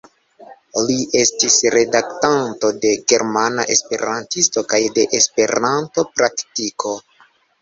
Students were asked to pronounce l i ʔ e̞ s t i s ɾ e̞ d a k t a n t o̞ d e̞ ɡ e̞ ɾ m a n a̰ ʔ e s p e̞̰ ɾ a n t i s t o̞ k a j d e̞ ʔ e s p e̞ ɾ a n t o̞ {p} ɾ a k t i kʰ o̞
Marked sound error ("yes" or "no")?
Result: no